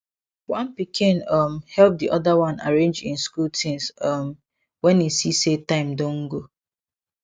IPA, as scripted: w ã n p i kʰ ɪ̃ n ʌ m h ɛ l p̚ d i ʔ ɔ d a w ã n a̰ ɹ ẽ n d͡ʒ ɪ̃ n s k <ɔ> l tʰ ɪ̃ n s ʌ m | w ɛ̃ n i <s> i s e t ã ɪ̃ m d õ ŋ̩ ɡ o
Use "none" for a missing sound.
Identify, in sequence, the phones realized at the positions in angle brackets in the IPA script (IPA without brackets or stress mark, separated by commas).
u, s